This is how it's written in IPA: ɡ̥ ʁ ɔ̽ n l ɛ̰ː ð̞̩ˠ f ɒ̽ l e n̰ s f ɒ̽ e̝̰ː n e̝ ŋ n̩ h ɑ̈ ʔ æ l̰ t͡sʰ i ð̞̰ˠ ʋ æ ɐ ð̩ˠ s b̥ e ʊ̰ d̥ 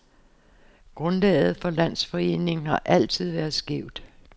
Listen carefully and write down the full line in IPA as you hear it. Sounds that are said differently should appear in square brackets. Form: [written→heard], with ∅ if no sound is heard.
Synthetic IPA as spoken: ɡ̥ ʁ ɔ̽ n l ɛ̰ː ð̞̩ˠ f ɒ̽ l [e→æ] n̰ s f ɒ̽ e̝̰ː n e̝ ŋ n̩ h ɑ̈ ʔ æ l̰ t͡sʰ i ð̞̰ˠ ʋ æ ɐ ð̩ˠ s [b̥→ɡ̥] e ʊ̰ d̥